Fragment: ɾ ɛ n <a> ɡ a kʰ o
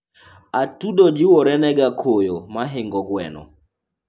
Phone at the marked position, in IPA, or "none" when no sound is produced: ɛ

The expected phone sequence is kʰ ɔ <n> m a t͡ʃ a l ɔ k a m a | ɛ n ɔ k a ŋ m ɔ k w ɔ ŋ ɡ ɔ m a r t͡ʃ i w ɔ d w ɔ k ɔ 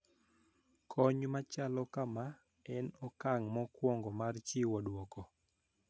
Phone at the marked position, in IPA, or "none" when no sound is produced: ɲ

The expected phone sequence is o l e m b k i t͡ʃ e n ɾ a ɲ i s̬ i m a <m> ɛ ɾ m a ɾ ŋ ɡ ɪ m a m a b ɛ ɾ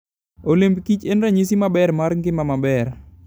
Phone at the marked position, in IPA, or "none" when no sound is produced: b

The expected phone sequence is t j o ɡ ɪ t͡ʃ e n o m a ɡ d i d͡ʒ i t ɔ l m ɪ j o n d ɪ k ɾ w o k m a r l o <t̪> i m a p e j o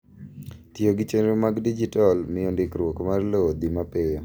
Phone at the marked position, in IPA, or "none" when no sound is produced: d̪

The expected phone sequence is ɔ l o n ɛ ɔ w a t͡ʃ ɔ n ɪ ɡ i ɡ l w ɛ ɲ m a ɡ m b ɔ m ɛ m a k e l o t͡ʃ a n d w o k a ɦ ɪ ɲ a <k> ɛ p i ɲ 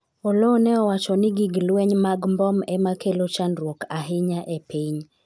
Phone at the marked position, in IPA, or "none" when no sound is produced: ʔ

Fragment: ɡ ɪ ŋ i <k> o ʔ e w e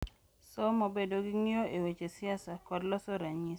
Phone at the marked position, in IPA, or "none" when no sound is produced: none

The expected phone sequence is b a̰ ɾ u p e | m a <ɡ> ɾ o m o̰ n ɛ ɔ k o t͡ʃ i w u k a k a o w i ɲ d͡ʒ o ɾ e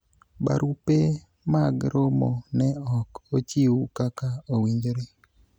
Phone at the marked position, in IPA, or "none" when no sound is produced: ɡ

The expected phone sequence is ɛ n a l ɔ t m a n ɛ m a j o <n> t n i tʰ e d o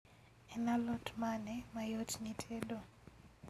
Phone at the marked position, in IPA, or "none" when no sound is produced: none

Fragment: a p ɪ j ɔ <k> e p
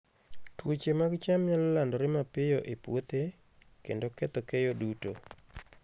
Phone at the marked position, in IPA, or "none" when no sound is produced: ʔ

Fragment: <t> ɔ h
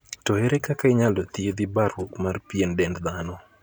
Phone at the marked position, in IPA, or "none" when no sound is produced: t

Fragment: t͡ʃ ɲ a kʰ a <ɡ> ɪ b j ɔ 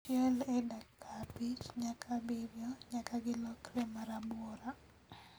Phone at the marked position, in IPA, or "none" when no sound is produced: b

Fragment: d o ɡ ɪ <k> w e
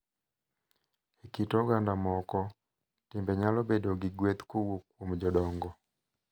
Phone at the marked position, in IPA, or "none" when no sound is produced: ɡ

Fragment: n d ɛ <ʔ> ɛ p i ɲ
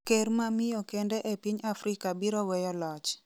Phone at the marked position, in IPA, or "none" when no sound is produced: ʔ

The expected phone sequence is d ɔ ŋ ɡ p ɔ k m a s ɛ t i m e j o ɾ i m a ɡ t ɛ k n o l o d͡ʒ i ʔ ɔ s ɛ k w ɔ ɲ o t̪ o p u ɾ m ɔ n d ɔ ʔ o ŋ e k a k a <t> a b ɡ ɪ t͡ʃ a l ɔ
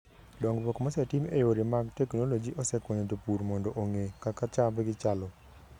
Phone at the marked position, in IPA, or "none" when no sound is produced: t͡ʃ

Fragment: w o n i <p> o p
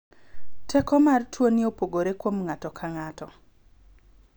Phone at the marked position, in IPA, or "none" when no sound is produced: none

